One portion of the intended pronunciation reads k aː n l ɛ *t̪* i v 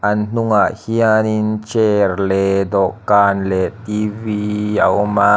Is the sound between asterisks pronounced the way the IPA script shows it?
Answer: yes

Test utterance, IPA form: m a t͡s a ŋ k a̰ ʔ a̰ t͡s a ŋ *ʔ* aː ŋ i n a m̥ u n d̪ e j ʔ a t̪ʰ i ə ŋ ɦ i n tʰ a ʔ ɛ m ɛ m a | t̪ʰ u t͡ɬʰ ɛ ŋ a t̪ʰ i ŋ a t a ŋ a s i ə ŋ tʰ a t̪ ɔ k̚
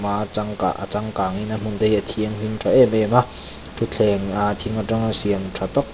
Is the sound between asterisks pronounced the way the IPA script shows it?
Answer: no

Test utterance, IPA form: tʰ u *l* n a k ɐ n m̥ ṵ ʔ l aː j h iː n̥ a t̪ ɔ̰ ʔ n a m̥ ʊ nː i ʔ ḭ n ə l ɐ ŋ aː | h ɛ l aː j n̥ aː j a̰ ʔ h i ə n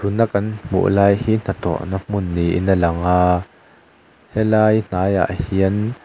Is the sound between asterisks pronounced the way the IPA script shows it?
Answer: no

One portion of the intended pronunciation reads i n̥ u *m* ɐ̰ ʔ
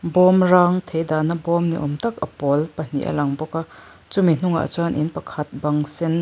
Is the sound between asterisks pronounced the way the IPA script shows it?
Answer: no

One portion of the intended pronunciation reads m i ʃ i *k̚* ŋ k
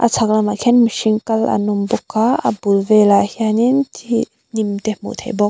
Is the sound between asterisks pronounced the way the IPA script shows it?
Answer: no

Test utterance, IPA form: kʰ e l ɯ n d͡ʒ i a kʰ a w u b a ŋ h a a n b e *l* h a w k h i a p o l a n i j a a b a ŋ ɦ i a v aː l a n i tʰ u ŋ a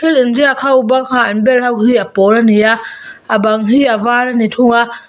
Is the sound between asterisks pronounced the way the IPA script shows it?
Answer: yes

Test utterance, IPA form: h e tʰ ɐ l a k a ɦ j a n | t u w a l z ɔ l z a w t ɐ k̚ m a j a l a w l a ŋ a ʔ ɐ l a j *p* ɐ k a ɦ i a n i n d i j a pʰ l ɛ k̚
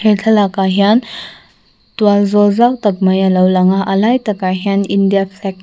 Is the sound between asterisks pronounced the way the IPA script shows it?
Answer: no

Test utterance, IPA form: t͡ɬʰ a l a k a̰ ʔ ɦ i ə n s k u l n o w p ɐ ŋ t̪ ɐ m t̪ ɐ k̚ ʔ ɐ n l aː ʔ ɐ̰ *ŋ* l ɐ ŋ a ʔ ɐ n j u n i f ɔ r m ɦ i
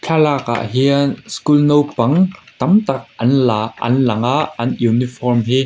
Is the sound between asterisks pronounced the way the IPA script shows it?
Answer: no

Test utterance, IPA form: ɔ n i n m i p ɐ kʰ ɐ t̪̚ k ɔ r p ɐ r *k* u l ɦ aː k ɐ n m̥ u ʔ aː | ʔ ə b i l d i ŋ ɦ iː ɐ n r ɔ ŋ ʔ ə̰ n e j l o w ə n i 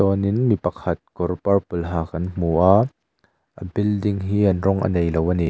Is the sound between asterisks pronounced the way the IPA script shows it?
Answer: no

